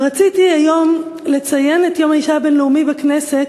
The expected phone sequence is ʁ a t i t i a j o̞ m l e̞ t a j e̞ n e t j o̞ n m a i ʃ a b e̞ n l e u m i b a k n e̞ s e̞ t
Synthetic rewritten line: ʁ a t͡s i t i a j o̞ m l e̞ t͡s a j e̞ n e t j o̞ m a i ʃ a b e̞ n l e u m i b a k n e̞ s e̞ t